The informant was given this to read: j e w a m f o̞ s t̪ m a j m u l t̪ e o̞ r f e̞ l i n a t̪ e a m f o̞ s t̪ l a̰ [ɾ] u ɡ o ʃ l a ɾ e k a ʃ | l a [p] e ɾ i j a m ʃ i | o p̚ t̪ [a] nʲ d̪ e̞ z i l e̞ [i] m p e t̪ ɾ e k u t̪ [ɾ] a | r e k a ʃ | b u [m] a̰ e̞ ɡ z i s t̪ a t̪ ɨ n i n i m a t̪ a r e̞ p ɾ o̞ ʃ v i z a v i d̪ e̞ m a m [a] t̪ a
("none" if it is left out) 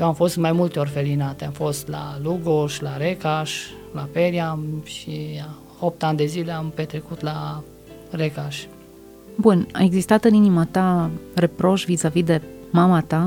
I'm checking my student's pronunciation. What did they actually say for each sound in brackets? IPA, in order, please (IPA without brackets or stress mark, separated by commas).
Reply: l, p, a, a, l, n, a